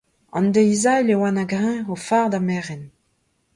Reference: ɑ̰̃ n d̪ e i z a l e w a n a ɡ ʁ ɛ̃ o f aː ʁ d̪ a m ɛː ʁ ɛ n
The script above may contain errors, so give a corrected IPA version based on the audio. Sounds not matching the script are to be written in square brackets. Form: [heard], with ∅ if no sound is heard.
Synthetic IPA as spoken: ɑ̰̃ n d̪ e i z a l e w a n a ɡ ʁ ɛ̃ o f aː ʁ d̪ a m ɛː ʁ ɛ n